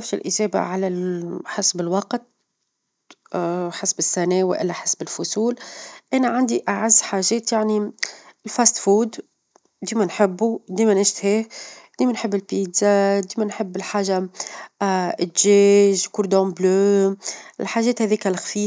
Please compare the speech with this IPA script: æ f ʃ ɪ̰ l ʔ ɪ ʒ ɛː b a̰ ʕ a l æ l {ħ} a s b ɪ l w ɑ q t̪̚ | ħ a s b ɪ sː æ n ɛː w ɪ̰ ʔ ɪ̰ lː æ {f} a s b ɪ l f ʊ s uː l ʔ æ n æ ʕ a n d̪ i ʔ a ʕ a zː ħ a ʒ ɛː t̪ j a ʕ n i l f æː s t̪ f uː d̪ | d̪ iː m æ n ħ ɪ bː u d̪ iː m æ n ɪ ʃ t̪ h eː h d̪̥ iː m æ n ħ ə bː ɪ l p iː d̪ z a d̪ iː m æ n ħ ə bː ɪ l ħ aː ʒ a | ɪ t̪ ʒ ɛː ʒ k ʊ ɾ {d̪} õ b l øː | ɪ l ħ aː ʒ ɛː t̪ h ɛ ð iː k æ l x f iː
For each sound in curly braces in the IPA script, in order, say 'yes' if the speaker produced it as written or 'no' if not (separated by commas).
yes, no, yes